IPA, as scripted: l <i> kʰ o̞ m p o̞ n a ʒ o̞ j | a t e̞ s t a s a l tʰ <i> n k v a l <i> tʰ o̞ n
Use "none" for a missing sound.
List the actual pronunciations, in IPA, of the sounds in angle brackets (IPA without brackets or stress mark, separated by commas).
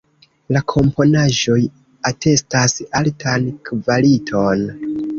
a, a, i